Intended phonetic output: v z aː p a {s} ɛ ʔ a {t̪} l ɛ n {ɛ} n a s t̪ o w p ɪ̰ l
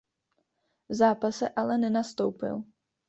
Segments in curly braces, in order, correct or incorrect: correct, incorrect: none, correct

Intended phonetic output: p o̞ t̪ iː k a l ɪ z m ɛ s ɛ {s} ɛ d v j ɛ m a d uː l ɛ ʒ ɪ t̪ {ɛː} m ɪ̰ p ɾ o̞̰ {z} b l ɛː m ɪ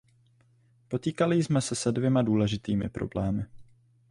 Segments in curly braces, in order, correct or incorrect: correct, incorrect: iː, incorrect: none

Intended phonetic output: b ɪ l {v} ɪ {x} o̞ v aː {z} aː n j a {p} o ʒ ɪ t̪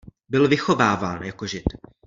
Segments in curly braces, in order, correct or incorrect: correct, correct, incorrect: v, incorrect: k

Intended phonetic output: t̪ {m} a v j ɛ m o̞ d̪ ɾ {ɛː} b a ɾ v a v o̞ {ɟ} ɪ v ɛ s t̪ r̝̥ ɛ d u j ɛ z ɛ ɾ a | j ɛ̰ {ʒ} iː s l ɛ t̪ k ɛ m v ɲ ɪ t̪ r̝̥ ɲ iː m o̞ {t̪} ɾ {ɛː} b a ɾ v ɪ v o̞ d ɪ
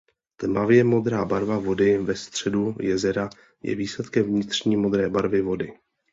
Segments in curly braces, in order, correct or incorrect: correct, incorrect: aː, incorrect: d, incorrect: v, incorrect: d̪, correct

